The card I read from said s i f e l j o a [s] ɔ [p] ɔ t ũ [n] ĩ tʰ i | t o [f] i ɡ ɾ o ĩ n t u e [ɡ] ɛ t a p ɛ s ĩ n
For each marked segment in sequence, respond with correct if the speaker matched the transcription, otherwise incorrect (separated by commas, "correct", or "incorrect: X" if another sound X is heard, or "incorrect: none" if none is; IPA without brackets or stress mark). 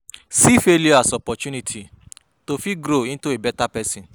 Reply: correct, correct, correct, correct, incorrect: b